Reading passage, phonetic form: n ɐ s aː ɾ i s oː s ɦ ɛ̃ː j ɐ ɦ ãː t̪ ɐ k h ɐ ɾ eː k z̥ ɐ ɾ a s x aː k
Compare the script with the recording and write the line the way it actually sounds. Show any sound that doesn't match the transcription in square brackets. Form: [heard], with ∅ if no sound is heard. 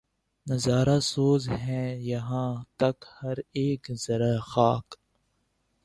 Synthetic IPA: n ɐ [z] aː ɾ [a] s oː [z] ɦ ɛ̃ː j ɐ ɦ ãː t̪ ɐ k h ɐ ɾ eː k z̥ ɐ ɾ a [∅] x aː k